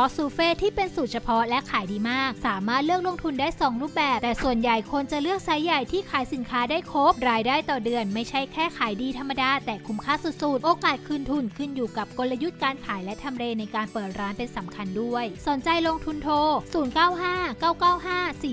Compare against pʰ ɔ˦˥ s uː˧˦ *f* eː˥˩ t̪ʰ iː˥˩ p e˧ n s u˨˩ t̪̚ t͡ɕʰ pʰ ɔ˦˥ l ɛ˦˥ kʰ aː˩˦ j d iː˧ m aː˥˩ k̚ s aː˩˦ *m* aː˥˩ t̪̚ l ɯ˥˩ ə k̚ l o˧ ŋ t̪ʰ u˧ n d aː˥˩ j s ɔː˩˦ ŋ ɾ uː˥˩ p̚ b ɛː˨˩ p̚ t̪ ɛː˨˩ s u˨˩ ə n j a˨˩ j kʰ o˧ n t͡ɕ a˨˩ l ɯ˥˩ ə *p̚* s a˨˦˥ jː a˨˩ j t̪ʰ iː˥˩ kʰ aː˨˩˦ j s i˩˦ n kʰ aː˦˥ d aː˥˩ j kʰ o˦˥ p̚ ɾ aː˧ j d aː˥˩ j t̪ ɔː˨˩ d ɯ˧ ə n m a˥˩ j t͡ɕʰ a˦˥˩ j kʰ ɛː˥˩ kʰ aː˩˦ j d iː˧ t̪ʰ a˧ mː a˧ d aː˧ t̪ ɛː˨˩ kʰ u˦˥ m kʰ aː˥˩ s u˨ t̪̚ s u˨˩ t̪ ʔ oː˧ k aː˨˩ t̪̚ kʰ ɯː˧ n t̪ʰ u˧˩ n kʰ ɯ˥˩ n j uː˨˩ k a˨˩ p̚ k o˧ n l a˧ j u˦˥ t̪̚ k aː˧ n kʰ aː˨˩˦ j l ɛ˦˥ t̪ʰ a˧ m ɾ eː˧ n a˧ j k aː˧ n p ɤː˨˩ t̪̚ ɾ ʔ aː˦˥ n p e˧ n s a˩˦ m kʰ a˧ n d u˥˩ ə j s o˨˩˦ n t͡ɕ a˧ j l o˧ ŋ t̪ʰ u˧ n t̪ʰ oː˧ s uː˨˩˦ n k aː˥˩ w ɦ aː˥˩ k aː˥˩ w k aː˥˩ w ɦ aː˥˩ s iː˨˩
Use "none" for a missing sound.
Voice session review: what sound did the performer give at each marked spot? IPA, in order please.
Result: f, m, k̚

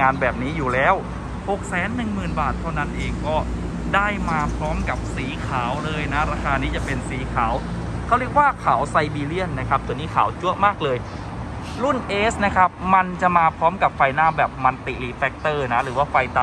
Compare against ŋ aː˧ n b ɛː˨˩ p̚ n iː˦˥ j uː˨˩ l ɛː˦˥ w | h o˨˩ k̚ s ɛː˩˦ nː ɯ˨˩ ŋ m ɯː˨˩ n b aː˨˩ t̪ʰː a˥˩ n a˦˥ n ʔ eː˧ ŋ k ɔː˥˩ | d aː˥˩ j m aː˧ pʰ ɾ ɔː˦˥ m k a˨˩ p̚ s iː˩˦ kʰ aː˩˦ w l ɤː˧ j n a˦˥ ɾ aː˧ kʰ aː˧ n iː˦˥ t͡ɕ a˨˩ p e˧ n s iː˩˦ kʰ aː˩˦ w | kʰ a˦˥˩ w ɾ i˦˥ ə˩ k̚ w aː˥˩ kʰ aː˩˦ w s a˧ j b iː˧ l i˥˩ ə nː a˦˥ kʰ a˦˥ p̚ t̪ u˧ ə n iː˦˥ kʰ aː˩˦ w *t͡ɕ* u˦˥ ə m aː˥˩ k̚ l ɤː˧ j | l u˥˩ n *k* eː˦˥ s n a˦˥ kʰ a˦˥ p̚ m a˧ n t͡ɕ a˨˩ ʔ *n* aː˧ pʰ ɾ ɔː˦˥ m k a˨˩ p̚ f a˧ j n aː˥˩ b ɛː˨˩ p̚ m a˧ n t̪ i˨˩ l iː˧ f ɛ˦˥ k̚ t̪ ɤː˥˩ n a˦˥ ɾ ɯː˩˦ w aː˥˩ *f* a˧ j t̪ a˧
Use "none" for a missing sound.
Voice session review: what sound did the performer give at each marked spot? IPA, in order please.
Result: t͡ɕ, ʔ, m, f

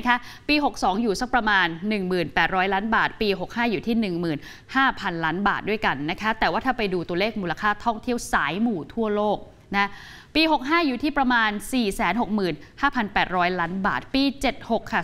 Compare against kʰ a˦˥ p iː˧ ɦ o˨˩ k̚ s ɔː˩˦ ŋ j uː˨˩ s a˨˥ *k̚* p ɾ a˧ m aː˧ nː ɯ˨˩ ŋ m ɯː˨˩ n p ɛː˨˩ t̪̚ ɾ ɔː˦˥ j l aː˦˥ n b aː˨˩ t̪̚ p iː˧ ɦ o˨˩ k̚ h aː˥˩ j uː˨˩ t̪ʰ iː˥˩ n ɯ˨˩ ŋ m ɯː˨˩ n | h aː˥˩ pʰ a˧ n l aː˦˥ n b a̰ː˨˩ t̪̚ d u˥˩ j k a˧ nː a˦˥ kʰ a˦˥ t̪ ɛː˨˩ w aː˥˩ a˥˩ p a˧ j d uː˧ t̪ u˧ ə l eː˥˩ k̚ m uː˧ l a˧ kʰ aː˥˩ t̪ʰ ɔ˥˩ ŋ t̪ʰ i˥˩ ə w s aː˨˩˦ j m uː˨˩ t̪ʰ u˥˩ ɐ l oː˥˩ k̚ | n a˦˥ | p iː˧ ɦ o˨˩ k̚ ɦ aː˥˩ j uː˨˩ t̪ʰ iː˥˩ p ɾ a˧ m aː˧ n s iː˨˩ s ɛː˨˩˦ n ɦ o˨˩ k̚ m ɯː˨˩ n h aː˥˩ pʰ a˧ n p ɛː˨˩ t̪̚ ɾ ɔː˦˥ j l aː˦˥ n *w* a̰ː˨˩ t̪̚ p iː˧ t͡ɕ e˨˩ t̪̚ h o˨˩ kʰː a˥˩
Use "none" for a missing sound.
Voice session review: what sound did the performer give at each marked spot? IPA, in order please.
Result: k̚, b

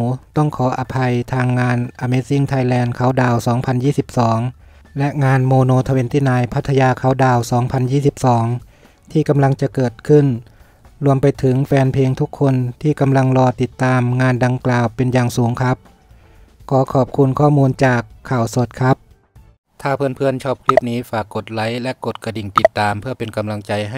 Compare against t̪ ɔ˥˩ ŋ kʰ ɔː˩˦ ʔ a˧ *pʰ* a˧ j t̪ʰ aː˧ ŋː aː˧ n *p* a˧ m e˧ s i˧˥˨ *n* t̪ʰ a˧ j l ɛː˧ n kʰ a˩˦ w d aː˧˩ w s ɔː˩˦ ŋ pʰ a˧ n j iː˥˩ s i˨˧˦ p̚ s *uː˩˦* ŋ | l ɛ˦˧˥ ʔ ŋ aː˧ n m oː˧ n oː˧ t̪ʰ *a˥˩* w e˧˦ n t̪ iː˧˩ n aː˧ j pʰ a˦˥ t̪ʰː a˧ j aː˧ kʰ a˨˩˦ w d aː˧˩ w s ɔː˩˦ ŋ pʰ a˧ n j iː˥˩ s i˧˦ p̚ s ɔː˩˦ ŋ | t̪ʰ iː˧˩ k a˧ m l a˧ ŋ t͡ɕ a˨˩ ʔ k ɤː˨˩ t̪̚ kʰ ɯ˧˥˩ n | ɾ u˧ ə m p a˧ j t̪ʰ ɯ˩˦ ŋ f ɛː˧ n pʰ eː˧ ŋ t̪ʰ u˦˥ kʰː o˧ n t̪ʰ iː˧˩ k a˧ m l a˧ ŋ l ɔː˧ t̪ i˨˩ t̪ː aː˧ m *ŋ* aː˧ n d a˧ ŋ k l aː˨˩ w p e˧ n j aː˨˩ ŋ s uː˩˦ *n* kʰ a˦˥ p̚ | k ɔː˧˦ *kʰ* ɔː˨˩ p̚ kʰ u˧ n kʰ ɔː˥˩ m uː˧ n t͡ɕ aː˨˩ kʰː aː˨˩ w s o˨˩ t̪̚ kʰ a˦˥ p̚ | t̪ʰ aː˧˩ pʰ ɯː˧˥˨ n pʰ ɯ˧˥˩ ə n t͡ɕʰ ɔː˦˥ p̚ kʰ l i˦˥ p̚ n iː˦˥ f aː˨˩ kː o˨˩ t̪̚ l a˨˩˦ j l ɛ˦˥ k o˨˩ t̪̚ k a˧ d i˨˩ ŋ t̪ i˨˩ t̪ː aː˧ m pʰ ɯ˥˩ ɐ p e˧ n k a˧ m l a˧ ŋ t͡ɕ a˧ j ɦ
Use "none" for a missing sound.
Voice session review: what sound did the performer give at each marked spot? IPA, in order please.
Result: pʰ, ʔ, ŋ, ɔː˩˦, a˧, ŋ, ŋ, kʰ

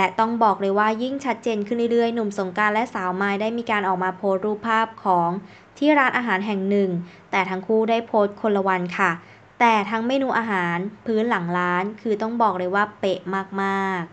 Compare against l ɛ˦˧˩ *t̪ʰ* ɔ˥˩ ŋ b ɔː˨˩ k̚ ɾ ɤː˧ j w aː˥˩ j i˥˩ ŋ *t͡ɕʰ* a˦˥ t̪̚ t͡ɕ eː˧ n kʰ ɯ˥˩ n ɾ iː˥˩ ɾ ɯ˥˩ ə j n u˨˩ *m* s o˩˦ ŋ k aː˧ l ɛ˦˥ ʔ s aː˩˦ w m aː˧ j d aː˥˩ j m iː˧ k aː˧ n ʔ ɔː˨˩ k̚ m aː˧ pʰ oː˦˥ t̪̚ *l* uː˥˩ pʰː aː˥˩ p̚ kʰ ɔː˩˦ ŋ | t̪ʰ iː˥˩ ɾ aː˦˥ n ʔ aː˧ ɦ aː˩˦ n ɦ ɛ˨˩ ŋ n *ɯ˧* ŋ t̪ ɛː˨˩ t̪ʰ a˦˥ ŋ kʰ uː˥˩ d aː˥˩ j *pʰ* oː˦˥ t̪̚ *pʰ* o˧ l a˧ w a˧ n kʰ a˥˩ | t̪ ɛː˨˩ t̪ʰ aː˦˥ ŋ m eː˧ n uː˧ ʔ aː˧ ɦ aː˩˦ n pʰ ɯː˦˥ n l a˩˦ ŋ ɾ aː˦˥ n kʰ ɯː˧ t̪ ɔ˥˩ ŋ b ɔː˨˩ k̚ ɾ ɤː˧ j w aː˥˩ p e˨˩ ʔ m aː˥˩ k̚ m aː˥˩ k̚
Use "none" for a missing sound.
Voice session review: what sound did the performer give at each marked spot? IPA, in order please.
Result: t̪, t͡ɕʰ, m, ɾ, ɯ˨˩, pʰ, kʰ

